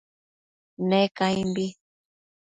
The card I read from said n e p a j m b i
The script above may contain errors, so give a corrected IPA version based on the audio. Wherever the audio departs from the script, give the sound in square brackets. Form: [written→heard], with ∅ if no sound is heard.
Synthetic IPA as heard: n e [p→k] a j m b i